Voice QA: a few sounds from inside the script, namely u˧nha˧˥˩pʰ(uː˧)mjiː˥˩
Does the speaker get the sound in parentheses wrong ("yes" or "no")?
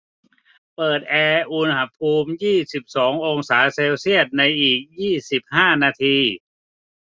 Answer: no